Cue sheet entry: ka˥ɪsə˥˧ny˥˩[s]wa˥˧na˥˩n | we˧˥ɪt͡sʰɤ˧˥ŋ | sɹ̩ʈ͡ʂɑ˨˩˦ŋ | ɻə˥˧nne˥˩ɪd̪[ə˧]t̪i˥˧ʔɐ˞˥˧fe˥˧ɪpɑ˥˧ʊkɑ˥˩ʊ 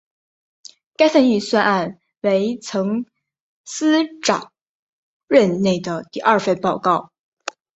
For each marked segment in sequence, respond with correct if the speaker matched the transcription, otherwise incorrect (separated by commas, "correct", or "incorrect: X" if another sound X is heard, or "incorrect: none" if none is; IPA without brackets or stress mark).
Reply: correct, incorrect: ə˩